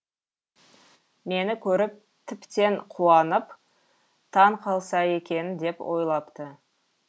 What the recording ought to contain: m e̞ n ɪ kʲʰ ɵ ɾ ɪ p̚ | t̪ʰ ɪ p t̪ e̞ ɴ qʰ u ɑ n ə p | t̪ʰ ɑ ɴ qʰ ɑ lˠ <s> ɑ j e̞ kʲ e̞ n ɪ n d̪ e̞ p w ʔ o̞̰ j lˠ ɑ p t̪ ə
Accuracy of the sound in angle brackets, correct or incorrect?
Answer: correct